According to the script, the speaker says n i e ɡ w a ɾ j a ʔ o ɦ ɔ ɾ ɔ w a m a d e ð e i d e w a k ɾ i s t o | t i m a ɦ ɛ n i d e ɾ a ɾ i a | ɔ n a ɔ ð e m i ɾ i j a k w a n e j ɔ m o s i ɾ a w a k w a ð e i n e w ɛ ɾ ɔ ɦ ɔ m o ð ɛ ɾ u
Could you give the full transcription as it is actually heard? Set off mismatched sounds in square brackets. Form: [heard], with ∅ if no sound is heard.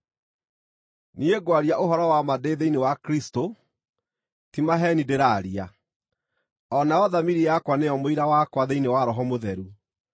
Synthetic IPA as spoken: n i e ɡ w a ɾ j a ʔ o ɦ ɔ ɾ ɔ w a m a d e ð e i [n] e w a k ɾ i s t o | t i m a ɦ ɛ n i d e ɾ a ɾ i a | ɔ n a ɔ ð [a] m i ɾ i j a k w a n e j ɔ m o [∅] i ɾ a w a k w a ð e i n e w [a] ɾ ɔ ɦ ɔ m o ð ɛ ɾ u